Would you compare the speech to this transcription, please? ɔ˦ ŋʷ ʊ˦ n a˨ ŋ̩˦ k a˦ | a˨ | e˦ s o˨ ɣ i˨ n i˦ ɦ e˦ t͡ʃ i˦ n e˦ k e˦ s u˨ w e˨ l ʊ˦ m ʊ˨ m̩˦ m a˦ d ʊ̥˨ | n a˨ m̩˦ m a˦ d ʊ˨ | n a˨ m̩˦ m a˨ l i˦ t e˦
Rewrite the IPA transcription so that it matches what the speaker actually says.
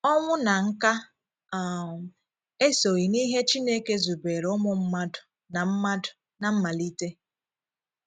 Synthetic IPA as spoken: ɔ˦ ŋʷ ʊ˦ n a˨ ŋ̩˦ k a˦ | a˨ | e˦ s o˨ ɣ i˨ n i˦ ɦ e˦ t͡ʃ i˦ n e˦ k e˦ z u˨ b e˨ ɾ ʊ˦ m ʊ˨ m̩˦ m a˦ d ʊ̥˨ | n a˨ m̩˦ m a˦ d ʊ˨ | n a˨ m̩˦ m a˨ l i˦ t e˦